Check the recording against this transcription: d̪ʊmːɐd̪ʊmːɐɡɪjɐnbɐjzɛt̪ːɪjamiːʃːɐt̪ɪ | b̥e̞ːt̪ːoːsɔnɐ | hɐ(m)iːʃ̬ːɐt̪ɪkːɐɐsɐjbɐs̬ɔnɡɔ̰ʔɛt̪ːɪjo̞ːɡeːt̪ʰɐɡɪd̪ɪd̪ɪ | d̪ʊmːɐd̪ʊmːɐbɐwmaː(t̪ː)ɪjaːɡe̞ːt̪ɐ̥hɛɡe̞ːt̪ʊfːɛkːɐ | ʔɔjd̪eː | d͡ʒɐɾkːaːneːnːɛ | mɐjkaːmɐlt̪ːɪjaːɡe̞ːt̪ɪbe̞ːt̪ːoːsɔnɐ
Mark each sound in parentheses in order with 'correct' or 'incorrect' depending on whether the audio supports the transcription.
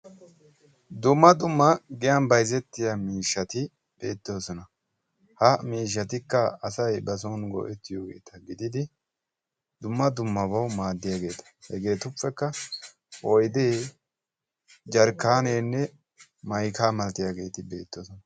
correct, incorrect

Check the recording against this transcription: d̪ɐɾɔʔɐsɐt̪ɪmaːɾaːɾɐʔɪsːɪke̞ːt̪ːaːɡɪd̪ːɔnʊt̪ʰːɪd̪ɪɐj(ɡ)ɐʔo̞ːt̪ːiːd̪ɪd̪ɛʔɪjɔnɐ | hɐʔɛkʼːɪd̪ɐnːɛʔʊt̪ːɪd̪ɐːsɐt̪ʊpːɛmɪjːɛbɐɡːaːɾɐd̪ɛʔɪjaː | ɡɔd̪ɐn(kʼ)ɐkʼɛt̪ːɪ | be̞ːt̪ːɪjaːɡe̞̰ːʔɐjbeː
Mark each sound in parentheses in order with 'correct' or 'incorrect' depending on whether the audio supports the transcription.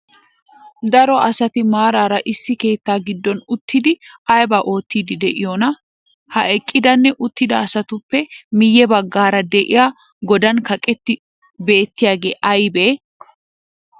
incorrect, incorrect

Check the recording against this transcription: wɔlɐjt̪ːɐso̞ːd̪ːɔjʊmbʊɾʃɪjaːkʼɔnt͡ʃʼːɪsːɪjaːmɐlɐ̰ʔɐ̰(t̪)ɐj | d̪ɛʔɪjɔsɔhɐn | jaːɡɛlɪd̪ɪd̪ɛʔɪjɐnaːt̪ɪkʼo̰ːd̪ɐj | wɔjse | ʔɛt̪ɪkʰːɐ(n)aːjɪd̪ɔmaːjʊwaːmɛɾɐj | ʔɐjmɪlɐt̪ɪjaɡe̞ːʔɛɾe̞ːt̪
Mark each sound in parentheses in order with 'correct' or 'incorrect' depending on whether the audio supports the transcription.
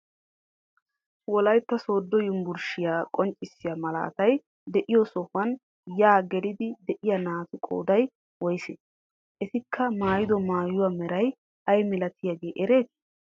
correct, incorrect

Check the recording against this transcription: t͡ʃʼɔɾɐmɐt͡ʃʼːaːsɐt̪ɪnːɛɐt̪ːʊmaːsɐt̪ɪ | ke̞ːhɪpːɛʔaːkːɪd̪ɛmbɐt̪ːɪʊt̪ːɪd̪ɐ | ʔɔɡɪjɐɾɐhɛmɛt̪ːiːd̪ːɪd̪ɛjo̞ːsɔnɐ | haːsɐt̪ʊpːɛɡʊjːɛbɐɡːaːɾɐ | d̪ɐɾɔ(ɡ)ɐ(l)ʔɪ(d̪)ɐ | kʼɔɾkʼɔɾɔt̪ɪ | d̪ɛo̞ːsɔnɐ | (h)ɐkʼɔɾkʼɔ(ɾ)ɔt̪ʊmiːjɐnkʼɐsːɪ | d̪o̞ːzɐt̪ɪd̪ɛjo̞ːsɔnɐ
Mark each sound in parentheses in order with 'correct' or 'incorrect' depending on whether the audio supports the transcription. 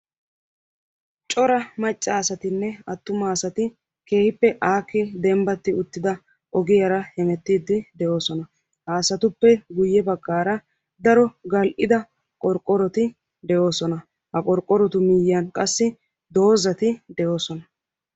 correct, correct, correct, correct, correct

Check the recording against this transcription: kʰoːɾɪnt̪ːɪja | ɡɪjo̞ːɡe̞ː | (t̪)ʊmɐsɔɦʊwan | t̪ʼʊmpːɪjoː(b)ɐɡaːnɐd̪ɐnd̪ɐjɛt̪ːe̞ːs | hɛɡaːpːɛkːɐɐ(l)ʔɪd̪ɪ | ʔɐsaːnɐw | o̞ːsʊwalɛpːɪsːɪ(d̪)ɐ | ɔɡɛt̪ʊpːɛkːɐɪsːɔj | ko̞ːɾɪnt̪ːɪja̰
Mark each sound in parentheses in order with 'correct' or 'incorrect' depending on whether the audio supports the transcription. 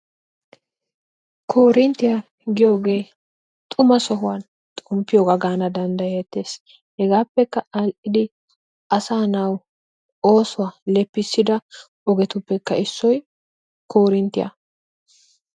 incorrect, incorrect, correct, correct

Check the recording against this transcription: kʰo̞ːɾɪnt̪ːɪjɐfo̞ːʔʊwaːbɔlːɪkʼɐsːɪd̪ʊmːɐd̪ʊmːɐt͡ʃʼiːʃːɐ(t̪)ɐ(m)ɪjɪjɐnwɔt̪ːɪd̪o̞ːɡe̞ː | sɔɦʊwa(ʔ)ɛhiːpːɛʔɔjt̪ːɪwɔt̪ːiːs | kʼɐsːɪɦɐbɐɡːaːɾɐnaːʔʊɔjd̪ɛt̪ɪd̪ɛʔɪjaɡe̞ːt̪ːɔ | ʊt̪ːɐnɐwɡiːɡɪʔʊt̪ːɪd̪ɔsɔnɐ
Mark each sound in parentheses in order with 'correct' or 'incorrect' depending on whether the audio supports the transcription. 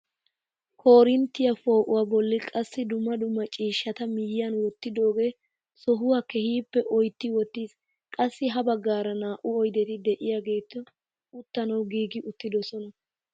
correct, correct, incorrect

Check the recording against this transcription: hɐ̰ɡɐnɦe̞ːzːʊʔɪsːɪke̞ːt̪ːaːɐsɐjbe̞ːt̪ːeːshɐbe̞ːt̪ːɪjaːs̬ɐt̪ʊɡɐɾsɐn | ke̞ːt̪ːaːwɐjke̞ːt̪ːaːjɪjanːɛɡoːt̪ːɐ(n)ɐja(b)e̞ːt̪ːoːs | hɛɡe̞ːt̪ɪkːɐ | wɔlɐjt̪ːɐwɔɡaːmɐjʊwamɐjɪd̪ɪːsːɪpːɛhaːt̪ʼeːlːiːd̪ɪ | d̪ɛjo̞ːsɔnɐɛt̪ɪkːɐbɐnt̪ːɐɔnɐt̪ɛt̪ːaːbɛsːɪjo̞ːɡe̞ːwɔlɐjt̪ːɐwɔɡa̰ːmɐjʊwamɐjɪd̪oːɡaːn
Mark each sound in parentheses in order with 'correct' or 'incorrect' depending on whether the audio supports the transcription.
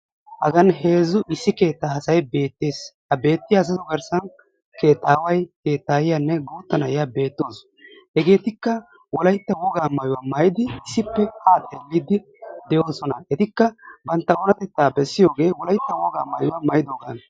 correct, correct

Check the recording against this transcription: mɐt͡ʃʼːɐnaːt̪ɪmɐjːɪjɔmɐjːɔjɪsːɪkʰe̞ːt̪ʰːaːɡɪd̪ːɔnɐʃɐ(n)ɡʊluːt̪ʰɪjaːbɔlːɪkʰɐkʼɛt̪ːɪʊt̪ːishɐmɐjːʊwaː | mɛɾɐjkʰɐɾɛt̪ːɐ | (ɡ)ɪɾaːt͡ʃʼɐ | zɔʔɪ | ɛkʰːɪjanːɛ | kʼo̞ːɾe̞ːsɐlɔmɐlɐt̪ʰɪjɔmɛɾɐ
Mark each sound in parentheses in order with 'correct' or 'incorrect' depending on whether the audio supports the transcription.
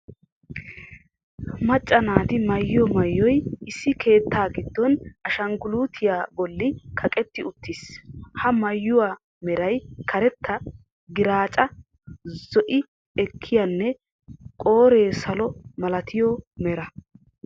incorrect, correct

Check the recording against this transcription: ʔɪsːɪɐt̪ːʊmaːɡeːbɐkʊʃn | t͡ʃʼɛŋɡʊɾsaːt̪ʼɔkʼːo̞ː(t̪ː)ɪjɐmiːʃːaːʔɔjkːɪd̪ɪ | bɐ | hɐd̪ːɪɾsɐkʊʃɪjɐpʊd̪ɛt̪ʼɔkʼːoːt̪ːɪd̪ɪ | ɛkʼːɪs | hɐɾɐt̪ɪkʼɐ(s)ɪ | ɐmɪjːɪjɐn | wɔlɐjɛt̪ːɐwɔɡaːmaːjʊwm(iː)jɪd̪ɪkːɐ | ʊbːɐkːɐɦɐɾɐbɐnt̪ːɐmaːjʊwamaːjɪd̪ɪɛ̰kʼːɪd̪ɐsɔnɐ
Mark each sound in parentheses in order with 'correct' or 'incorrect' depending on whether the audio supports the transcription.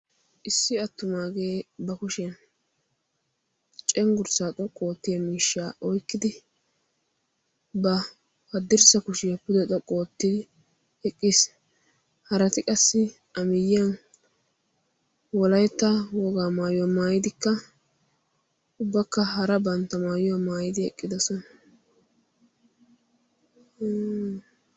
correct, incorrect, incorrect

